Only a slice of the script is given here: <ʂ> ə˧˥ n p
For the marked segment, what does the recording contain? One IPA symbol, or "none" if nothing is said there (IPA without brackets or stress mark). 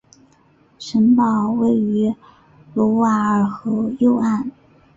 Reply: ʂ